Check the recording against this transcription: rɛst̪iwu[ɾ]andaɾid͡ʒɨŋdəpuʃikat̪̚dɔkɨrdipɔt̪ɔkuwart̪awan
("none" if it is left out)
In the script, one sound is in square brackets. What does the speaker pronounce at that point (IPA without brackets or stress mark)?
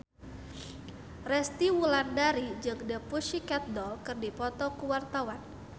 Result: l